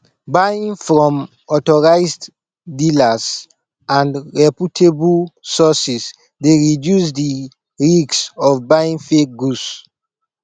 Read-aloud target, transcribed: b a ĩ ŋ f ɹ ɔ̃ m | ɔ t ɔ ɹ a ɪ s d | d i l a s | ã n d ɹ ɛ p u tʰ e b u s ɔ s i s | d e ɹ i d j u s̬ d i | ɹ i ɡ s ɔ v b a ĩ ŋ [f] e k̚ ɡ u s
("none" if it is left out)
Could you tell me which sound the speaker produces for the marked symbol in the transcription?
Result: f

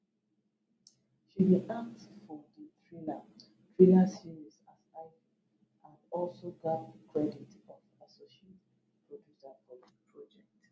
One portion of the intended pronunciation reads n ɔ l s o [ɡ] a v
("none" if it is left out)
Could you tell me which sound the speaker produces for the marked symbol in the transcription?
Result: ɡ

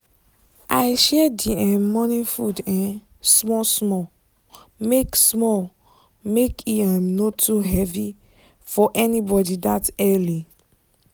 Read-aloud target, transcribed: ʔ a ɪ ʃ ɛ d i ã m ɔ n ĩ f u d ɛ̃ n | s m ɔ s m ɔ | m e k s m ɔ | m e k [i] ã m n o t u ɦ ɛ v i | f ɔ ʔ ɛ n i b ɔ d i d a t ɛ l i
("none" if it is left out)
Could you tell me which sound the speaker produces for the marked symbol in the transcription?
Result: i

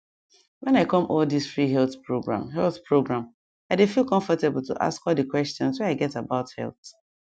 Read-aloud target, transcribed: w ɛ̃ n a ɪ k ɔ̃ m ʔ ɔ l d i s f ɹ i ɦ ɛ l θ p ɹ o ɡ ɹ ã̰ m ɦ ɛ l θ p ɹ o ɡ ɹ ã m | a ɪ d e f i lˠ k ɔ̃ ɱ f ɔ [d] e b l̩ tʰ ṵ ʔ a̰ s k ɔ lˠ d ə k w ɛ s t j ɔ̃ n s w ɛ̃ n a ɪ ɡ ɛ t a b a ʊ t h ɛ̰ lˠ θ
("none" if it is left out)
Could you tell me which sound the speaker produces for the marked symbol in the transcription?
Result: t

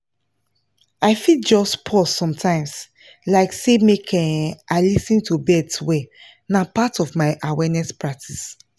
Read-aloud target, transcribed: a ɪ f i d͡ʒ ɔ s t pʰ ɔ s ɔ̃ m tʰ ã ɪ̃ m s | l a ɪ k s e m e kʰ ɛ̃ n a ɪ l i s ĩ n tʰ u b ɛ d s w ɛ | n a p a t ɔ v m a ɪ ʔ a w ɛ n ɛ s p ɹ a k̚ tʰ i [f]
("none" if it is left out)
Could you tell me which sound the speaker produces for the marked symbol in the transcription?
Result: s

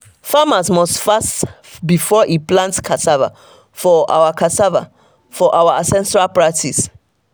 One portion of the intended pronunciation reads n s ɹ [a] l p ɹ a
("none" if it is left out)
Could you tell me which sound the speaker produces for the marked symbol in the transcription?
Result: a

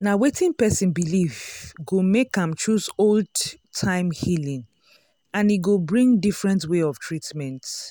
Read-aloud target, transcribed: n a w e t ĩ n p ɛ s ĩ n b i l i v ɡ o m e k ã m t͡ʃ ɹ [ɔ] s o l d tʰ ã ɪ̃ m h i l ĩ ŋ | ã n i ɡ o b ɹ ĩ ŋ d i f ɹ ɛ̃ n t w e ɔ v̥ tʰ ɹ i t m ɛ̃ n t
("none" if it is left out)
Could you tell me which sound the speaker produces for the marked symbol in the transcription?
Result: u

